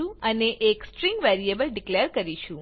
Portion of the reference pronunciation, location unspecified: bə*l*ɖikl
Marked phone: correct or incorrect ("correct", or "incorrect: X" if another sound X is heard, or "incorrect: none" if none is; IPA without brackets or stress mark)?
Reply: correct